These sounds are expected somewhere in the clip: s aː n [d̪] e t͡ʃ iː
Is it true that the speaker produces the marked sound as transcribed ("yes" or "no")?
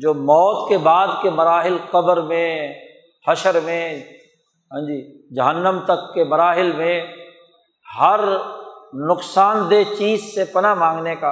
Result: yes